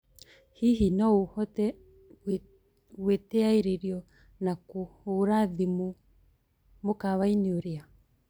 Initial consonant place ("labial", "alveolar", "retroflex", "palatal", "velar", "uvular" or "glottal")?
glottal